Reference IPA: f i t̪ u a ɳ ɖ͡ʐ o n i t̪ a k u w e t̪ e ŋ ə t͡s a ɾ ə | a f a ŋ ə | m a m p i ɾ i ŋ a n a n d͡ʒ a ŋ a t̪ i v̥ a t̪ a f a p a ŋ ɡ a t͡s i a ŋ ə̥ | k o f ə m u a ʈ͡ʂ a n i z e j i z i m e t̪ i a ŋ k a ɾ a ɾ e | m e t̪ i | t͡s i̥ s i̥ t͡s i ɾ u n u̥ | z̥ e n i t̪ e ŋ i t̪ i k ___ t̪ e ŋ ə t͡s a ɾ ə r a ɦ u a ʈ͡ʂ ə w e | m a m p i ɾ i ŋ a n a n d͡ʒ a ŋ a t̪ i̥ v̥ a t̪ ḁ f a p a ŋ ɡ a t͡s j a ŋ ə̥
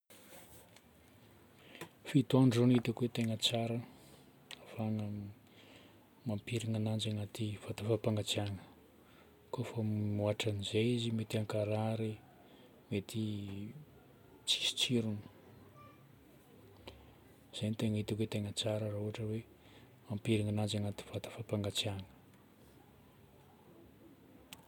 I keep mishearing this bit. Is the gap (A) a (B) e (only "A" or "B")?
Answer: B